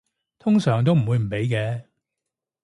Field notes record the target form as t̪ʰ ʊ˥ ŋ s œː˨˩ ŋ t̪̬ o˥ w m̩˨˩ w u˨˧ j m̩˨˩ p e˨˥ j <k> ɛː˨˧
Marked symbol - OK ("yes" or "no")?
yes